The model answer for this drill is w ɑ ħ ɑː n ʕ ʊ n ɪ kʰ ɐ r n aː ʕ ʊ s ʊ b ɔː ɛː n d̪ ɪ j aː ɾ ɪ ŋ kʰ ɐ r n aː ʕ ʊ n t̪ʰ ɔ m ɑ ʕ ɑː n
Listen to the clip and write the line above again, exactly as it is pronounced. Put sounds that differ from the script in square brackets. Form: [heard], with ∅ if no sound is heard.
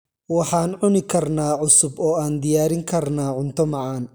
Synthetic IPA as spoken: w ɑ ħ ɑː n ʕ ʊ n ɪ kʰ ɐ r n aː ʕ ʊ s ʊ b ɔː [aː] n d̪ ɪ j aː ɾ ɪ ŋ kʰ ɐ r n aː ʕ ʊ n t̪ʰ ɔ m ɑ ʕ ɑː n